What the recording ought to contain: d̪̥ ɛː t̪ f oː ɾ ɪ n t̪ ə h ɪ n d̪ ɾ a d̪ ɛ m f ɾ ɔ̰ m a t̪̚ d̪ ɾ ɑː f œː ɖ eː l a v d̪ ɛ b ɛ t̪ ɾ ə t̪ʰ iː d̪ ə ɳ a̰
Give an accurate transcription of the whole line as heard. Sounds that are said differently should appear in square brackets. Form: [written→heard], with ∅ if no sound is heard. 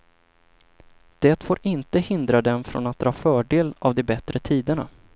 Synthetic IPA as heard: d̪̥ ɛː t̪ f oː ɾ ɪ n t̪ ə h ɪ n d̪ ɾ a d̪ ɛ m f ɾ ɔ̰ [m→n] a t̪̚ d̪ ɾ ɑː f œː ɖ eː l a v d̪ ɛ b ɛ t̪ ɾ ə t̪ʰ iː d̪ ə ɳ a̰